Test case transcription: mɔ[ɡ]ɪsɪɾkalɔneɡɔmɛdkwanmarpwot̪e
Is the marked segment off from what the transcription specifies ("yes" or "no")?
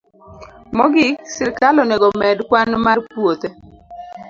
no